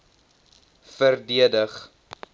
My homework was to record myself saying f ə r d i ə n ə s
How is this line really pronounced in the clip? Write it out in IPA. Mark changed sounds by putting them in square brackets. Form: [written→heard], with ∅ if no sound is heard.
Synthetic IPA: f ə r d i ə [n→d] ə [s→χ]